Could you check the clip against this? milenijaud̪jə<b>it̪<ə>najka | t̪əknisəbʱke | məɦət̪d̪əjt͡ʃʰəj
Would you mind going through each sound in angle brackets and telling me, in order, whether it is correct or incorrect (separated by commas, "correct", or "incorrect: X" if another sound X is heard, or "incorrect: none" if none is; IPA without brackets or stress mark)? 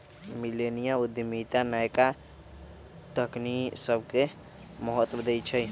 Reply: incorrect: m, incorrect: a